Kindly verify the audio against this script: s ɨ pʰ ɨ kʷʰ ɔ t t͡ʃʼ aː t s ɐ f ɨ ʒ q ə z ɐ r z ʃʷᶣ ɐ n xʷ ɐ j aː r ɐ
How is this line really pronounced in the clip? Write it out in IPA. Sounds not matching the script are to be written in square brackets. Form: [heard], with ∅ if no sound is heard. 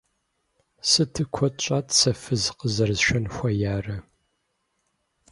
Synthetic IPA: s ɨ [tʰ] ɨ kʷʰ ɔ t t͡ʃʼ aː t s ɐ f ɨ [z] q ə z ɐ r z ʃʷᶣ ɐ n xʷ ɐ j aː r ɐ